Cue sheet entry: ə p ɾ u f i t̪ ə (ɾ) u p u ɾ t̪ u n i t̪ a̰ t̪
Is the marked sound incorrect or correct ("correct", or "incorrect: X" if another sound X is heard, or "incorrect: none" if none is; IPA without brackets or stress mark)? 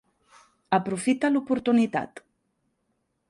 incorrect: l